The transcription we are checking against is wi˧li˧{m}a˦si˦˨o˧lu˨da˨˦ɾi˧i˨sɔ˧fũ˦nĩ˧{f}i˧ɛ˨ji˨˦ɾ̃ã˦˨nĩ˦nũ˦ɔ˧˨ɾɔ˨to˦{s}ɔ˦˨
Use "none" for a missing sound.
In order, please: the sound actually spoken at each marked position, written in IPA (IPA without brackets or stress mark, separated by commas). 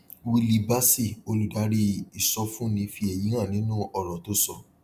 b, f, s